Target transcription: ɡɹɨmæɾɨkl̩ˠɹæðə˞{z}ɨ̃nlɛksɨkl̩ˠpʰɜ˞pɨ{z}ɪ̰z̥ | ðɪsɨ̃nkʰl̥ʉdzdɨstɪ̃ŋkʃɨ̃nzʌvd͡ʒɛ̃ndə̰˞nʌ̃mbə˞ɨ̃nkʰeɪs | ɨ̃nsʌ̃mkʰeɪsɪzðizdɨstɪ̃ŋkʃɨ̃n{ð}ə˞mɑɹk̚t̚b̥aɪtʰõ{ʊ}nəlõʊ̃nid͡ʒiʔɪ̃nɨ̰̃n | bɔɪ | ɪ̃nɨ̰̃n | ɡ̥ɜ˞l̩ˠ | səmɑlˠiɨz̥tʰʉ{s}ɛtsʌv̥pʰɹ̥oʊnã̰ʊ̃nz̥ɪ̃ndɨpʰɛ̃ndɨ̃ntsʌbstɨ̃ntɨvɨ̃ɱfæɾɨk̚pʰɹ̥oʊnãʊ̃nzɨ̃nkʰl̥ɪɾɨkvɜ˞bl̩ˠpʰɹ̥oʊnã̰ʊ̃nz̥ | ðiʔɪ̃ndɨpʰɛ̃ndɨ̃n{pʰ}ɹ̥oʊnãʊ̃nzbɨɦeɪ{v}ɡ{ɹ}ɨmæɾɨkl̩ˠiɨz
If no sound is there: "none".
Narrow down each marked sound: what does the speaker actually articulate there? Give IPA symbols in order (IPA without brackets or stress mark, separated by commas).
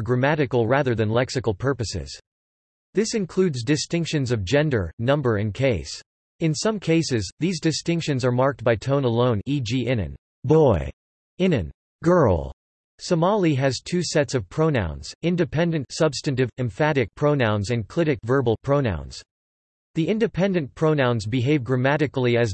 ð, s, z, ʊ̃, s, pʰ, v, ɹ